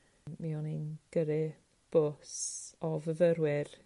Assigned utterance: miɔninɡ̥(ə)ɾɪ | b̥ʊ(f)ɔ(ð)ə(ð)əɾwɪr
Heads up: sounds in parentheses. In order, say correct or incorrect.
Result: correct, incorrect, incorrect, incorrect

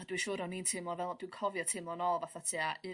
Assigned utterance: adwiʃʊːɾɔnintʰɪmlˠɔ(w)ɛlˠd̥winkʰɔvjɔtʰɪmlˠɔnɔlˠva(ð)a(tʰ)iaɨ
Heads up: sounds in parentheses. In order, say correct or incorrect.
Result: incorrect, incorrect, correct

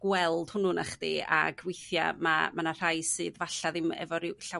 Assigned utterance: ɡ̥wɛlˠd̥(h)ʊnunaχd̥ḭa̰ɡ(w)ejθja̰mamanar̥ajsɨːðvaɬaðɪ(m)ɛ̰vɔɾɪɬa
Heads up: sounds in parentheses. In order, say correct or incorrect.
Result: correct, correct, correct

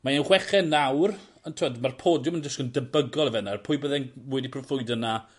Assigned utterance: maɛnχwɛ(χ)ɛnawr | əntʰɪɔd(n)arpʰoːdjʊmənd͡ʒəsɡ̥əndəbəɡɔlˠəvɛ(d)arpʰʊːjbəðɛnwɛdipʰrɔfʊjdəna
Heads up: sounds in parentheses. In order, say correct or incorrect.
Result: correct, incorrect, incorrect

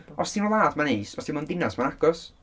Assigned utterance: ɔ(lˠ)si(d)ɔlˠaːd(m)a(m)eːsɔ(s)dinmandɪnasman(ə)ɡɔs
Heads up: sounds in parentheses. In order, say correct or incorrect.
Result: incorrect, incorrect, correct, incorrect, correct, incorrect

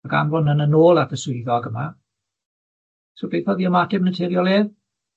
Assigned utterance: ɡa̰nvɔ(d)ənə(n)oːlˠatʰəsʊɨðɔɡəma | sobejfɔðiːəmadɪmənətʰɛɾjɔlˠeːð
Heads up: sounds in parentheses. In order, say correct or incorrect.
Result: incorrect, correct

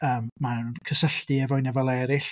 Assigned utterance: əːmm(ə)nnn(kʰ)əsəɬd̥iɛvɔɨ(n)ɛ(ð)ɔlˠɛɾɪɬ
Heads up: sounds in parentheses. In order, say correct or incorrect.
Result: incorrect, correct, correct, incorrect

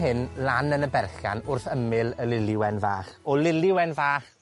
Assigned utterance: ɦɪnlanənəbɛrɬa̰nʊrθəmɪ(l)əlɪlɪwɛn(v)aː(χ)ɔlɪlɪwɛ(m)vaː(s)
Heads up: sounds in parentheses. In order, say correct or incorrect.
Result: correct, correct, correct, incorrect, incorrect

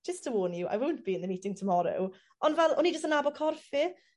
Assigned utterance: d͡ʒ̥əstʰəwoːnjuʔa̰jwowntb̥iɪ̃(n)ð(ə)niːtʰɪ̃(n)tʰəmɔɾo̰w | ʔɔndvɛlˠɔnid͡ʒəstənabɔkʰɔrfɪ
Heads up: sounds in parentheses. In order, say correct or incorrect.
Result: correct, correct, incorrect

